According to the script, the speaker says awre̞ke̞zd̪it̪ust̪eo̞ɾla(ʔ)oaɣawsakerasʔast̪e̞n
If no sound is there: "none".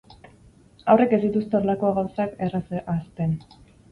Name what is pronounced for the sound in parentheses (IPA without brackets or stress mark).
k